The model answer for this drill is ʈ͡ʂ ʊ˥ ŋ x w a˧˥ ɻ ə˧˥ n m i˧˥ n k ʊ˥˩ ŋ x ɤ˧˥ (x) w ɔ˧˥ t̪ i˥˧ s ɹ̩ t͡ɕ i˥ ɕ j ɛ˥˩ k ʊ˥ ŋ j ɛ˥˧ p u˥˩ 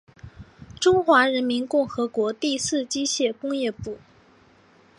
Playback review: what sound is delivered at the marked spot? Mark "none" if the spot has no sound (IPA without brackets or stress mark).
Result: k